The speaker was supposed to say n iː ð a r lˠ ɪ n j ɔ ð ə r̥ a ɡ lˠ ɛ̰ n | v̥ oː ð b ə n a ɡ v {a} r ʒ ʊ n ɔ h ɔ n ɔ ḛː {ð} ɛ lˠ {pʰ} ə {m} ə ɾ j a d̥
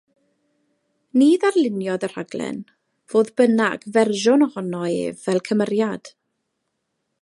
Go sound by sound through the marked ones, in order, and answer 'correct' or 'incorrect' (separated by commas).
incorrect, incorrect, incorrect, correct